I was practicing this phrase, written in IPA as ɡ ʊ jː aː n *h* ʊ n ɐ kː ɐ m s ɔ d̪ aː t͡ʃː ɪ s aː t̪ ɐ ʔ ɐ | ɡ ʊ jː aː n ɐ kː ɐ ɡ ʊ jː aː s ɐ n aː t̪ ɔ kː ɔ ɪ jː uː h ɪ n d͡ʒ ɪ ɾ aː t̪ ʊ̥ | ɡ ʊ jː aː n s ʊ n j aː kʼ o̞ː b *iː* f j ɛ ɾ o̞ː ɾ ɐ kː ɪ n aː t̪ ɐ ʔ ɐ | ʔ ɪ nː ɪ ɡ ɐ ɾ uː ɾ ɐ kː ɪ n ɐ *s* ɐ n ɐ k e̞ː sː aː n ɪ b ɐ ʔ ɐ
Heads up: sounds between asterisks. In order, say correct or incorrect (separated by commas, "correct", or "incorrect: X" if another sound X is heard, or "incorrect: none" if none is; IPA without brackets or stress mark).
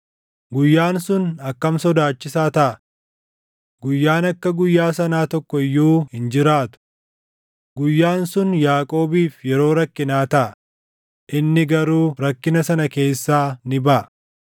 incorrect: s, correct, correct